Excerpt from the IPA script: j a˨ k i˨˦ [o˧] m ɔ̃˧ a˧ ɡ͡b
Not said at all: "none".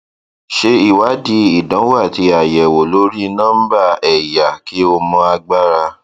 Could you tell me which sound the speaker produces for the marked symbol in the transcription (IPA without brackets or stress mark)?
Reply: o˧